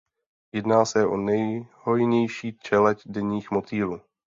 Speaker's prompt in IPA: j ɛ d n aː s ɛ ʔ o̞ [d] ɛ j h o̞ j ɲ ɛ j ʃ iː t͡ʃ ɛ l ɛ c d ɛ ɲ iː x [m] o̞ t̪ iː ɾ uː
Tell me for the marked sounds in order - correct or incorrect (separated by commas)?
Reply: incorrect, correct